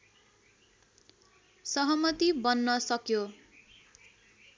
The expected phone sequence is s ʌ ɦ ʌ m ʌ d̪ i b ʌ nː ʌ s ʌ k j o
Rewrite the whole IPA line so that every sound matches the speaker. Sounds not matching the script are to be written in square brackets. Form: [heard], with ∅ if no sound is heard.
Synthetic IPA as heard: s ʌ ɦ ʌ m ʌ [t̪] i b ʌ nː ʌ s ʌ k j o